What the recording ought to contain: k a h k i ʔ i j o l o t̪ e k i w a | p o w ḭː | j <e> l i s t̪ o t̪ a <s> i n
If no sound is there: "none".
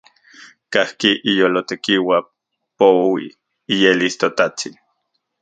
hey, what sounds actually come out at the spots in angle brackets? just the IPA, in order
e, t͡s

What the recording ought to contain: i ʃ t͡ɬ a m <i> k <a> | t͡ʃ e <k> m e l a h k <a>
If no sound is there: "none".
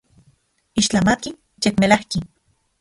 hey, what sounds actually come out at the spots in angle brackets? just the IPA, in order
a, i, k, i

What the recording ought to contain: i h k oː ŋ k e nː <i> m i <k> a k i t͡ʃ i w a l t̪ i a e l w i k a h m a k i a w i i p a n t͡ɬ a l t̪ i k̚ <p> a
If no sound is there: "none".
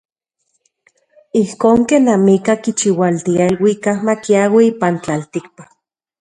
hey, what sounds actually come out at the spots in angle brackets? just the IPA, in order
a, k, p

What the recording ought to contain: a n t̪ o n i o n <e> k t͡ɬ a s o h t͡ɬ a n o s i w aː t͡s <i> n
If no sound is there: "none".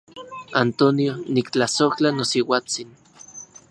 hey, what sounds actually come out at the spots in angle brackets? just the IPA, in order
i, i

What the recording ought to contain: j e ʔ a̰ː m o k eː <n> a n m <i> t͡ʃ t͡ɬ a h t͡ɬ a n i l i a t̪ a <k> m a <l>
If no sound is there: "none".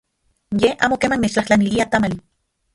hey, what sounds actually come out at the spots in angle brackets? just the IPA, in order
m, e, none, l

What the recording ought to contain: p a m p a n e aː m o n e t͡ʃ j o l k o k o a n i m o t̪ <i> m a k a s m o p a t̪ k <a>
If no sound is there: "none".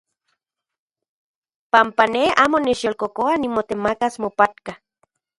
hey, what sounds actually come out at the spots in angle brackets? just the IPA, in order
e, a

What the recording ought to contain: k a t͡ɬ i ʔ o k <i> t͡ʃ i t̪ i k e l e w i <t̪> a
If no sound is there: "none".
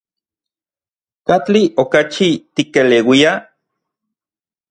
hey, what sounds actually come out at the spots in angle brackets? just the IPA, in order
a, none

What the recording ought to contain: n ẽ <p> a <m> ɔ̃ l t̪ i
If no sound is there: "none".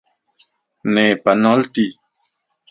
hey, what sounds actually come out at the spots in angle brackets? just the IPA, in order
p, n

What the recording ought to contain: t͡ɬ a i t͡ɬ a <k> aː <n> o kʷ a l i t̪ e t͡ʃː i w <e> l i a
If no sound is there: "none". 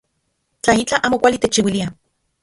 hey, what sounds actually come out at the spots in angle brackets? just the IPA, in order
ʔ, m, i

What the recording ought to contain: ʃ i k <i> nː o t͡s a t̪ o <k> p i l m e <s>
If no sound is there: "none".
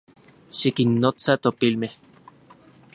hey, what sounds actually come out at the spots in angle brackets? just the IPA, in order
i, none, h

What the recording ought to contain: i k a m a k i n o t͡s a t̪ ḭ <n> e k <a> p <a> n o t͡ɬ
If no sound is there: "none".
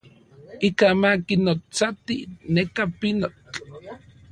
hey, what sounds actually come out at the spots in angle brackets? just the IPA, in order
n, a, i

